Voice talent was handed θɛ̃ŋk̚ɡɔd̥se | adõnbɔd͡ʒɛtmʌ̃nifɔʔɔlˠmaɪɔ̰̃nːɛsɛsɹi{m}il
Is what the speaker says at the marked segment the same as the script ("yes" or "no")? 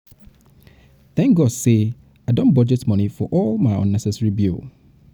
no